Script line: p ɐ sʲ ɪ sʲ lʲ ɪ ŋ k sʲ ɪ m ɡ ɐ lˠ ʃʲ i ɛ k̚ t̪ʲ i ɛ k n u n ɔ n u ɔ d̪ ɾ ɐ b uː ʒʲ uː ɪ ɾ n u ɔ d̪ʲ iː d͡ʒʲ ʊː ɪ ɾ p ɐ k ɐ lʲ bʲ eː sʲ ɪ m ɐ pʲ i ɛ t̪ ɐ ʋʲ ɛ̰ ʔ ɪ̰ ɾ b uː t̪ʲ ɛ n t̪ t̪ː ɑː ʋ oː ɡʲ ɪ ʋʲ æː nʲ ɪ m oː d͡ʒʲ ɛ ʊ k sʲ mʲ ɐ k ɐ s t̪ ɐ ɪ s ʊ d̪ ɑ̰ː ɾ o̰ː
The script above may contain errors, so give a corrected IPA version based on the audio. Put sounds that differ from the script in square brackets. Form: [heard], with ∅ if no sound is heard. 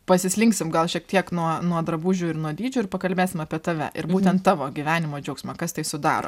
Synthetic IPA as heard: p ɐ sʲ ɪ sʲ lʲ ɪ ŋ k sʲ ɪ m ɡ ɐ lˠ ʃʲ i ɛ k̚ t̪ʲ i ɛ k n u [∅] ɔ n u ɔ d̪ ɾ ɐ b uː ʒʲ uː ɪ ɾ n u ɔ d̪ʲ iː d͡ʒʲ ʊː ɪ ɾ p ɐ k ɐ lʲ bʲ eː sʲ ɪ m ɐ pʲ i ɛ t̪ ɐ ʋʲ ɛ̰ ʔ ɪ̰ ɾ b uː t̪ʲ ɛ n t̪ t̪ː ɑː ʋ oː ɡʲ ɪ ʋʲ æː nʲ ɪ m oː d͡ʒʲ ɛ ʊ k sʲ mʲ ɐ k ɐ s t̪ ɐ ɪ s ʊ d̪ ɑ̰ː ɾ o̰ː